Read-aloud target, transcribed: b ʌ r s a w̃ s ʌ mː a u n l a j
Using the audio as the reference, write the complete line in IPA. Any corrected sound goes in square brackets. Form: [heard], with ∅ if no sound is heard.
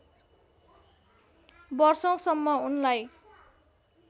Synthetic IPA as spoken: b ʌ r s [ʌ] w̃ s ʌ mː [ʌ] u n l a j